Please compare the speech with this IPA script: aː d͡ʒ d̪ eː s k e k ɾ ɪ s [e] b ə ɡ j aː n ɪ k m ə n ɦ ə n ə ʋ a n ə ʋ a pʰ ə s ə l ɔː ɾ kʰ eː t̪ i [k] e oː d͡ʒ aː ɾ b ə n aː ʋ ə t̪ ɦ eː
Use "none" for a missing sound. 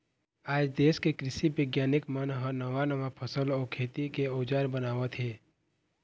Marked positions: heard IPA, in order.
i, k

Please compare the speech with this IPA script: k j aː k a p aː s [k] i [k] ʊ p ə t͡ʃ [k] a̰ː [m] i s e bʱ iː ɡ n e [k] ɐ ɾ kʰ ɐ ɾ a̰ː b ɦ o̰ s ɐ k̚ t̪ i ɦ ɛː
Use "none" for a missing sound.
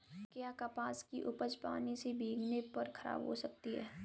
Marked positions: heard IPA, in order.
k, ʔ, p, n, p

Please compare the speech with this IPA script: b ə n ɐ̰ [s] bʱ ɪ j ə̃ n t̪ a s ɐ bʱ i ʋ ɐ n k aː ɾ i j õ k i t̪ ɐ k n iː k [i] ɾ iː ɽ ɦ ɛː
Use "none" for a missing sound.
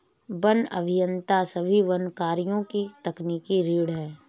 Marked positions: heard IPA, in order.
none, i

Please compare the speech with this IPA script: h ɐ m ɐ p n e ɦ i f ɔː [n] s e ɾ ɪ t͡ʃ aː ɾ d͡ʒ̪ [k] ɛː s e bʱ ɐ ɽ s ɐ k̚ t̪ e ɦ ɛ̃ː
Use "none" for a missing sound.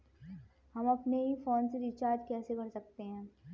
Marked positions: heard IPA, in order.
n, k

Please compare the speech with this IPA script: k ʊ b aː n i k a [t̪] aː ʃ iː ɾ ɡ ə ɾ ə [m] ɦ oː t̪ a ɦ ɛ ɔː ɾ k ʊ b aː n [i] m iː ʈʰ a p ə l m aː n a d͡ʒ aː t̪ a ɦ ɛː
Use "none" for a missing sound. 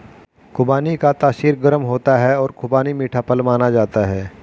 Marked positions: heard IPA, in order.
t̪, m, i

